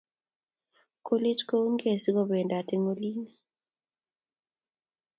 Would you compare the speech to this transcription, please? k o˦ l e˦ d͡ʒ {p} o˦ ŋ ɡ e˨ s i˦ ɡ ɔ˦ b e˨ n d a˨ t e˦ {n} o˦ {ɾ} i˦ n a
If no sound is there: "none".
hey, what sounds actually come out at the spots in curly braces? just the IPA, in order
k, ŋ, l

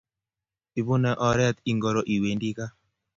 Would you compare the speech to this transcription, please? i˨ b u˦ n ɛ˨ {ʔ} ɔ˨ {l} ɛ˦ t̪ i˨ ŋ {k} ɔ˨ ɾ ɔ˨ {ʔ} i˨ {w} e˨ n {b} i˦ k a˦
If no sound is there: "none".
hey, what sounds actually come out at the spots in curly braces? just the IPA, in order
ʔ, ɾ, ɡ, ʔ, w, d

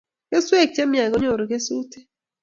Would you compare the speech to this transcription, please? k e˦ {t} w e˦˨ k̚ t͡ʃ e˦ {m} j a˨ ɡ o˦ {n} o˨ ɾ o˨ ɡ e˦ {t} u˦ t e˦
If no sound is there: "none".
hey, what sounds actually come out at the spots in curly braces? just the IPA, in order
s, m, ɲ, s

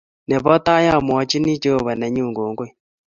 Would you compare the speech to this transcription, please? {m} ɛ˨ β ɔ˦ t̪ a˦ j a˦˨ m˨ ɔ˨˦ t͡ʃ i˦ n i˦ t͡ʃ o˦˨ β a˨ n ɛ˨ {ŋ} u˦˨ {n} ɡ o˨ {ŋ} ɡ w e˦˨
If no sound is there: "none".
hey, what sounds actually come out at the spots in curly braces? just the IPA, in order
n, ɲ, ŋ, ŋ

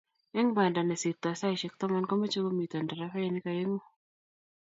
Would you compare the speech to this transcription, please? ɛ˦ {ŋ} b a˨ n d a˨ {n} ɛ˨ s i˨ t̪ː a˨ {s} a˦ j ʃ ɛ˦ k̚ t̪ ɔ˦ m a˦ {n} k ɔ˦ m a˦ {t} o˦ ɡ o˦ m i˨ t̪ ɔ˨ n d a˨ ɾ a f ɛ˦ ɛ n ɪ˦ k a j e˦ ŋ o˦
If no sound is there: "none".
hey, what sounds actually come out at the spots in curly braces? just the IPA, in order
ŋ, n, s, n, t͡ʃ

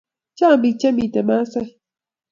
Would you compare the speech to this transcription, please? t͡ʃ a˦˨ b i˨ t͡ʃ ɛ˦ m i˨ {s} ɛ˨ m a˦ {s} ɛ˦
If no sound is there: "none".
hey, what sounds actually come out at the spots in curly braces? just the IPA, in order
t, s

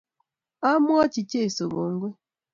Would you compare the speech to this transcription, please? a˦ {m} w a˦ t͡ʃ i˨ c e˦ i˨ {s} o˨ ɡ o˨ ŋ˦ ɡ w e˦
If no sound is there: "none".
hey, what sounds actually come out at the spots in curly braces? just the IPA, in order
m, s

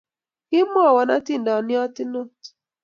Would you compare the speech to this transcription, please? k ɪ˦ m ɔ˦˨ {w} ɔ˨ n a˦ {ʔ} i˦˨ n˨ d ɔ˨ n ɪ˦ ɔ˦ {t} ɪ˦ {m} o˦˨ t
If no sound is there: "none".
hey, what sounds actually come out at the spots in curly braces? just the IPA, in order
w, t, t, n

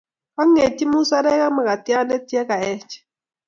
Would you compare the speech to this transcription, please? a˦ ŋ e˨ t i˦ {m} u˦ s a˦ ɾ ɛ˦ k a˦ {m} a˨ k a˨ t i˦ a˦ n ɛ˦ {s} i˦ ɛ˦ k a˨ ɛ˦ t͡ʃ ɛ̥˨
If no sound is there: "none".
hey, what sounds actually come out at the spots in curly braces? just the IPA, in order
m, m, t

